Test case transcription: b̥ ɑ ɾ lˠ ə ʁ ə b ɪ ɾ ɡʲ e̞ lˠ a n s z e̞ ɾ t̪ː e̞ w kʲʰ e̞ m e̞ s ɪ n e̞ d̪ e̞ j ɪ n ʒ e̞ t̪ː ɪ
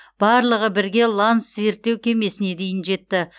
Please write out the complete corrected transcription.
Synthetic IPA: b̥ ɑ ɾ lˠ ə ʁ ə b ɪ ɾ ɡʲ e̞ lˠ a n s z e̞ ɾ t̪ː e̞ w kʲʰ e̞ m e̞ s ɪ n e̞ d̪ e̞ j ɪ n ʒ e̞ t̪ː ɪ

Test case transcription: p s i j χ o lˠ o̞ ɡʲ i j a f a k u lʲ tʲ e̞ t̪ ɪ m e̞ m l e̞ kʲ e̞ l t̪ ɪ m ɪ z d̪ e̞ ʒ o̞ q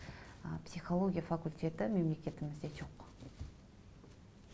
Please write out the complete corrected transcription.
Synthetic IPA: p s i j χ o lˠ o̞ ɡʲ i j a f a k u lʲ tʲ e̞ t̪ ɪ m e̞ m l e̞ kʲ e̞ t̪ ɪ m ɪ z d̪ e̞ ʒ o̞ q

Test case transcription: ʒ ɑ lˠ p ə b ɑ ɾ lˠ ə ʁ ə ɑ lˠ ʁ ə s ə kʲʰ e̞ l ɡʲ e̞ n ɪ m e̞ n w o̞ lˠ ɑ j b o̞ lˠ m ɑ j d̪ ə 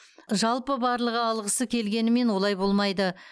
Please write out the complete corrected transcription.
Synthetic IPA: ʒ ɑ lˠ p ə b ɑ ɾ lˠ ə ʁ ə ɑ lˠ ʁ ə s ə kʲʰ e̞ l ɡʲ e̞ n ɪ m e̞ n w o̞ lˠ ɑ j b o̞ lˠ m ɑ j d̪ ə

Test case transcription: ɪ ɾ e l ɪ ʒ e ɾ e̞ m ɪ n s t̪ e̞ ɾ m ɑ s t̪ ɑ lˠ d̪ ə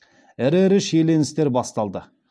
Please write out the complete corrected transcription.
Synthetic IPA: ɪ ɾ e ɾ ɪ ʃ e l e̞ n ɪ s t̪ e̞ ɾ b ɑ s t̪ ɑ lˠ d̪ ə

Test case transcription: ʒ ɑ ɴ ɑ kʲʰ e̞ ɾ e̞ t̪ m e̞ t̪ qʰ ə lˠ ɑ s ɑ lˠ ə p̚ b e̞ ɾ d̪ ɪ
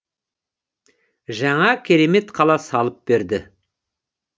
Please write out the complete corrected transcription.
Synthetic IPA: ʒ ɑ ɴ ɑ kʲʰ e̞ ɾ e̞ m e̞ t̪ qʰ ɑ lˠ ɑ s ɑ lˠ ə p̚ b e̞ ɾ d̪ ɪ

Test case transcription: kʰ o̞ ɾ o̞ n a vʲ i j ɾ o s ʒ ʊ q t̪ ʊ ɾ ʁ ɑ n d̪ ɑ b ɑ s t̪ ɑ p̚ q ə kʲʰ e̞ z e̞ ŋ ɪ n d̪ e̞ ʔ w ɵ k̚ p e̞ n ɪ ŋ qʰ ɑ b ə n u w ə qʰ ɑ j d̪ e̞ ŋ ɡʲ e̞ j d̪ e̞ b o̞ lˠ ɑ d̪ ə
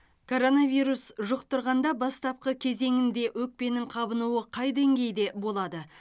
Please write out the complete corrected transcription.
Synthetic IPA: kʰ o̞ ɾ o̞ n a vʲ i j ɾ u s ʒ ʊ q t̪ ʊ ɾ ʁ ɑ n d̪ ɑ b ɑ s t̪ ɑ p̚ q ə kʲʰ e̞ z e̞ ŋ ɪ n d̪ e̞ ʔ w ɵ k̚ p e̞ n ɪ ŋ qʰ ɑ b ə n u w ə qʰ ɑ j d̪ e̞ ŋ ɡʲ e̞ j d̪ e̞ b o̞ lˠ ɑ d̪ ə

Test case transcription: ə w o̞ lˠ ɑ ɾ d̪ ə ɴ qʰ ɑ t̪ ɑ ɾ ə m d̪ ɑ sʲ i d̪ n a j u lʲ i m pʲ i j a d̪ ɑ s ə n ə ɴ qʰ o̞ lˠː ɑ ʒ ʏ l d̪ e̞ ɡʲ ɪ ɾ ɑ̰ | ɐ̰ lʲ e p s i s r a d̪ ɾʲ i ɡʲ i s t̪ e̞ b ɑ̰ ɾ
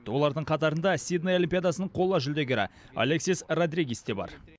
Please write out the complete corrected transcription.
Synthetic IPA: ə w o̞ lˠ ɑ ɾ d̪ ə ɴ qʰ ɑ t̪ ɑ ɾ ə n d̪ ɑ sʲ i d̪ n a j o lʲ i m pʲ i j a d̪ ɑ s ə n ə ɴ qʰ o̞ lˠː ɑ ʒ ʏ l d̪ e̞ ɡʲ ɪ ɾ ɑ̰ | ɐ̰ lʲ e k s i s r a d̪ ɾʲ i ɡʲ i s t̪ e̞ b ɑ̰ ɾ

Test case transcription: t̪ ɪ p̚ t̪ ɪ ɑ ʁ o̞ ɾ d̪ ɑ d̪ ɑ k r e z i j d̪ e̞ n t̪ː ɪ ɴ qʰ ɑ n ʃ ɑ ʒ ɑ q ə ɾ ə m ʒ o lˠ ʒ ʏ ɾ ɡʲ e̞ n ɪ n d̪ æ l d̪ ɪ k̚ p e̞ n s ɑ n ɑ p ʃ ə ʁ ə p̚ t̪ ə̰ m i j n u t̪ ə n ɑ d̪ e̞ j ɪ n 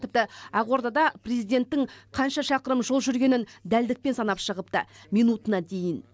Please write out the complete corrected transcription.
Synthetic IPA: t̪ ɪ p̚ t̪ ɪ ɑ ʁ o̞ ɾ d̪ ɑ d̪ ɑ p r e z i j d̪ e̞ n t̪ː ɪ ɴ qʰ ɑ n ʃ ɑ ʃ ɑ q ə ɾ ə m ʒ o lˠ ʒ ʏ ɾ ɡʲ e̞ n ɪ n d̪ æ l d̪ ɪ k̚ p e̞ n s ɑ n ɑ p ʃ ə ʁ ə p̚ t̪ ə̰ m i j n u t̪ ə n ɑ d̪ e̞ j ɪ n

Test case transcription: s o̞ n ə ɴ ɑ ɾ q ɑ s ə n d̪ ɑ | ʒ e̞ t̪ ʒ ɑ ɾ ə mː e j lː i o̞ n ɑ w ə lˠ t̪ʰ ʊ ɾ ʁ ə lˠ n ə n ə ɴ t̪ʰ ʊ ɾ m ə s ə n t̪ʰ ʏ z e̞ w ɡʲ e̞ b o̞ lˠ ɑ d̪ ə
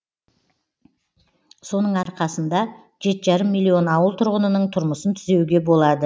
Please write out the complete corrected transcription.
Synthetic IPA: s o̞ n ə ɴ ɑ ɾ q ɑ s ə n d̪ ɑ | ʒ e̞ t̪ ʒ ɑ ɾ ə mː i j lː i o̞ n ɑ w ə lˠ t̪ʰ ʊ ɾ ʁ ə n ə n ə ɴ t̪ʰ ʊ ɾ m ə s ə n t̪ʰ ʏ z e̞ w ɡʲ e̞ b o̞ lˠ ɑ d̪ ə

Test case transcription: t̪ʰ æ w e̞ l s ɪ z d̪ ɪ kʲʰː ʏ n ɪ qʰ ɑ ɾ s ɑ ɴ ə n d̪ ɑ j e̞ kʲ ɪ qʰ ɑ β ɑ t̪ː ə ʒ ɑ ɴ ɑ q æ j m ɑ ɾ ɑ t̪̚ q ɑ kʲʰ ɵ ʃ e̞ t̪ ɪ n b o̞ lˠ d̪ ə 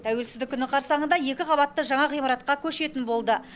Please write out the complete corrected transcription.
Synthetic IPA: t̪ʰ æ w e̞ l s ɪ z d̪ ɪ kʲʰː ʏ n ɪ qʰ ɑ ɾ s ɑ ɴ ə n d̪ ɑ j e̞ kʲ ɪ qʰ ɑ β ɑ t̪ː ə ʒ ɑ ɴ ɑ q i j m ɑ ɾ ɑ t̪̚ q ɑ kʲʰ ɵ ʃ e̞ t̪ ɪ n b o̞ lˠ d̪ ə

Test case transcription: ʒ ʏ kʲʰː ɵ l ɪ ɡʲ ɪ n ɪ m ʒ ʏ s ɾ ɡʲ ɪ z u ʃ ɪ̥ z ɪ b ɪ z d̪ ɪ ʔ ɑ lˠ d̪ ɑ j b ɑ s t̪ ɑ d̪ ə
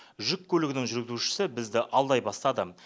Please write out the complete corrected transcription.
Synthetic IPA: ʒ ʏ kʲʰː ɵ l ɪ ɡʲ ɪ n ɪ ŋ ʒ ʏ ɾ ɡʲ ɪ z u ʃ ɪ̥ s ɪ b ɪ z d̪ ɪ ʔ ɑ lˠ d̪ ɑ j b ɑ s t̪ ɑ d̪ ə

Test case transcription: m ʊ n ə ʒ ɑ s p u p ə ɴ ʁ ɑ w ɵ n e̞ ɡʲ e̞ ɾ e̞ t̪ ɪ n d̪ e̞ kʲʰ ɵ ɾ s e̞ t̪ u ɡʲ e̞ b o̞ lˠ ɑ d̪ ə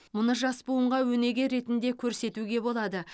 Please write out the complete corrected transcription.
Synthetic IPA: m ʊ n ə ʒ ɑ s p u ə ɴ ʁ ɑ w ɵ n e̞ ɡʲ e̞ ɾ e̞ t̪ ɪ n d̪ e̞ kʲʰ ɵ ɾ s e̞ t̪ u ɡʲ e̞ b o̞ lˠ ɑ d̪ ə

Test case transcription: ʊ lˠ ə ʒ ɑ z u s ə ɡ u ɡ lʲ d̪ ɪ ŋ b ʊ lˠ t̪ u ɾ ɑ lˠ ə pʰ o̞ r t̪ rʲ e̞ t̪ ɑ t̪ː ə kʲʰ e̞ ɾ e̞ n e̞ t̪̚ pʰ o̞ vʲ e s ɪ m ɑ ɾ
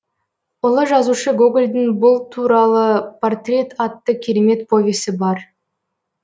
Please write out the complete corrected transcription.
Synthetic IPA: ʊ lˠ ə ʒ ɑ z u ʃ ə ɡ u ɡ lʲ d̪ ɪ ŋ b ʊ lˠ t̪ʰ u ɾ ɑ lˠ ə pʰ o̞ r t̪ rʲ e̞ t̪ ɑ t̪ː ə kʲʰ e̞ ɾ e̞ m e̞ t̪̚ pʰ o̞ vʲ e s ɪ b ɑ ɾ

